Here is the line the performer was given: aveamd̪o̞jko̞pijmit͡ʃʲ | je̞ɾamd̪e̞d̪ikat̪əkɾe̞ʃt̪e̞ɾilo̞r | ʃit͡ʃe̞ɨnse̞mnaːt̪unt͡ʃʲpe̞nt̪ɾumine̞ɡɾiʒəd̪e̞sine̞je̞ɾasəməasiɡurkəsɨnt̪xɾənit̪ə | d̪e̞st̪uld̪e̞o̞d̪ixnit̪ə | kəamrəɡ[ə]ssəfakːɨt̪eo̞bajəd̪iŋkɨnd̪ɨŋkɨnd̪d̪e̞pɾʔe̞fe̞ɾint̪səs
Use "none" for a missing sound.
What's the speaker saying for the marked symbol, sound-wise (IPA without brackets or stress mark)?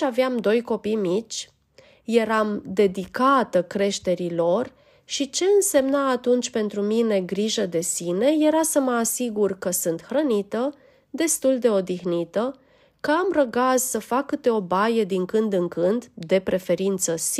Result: a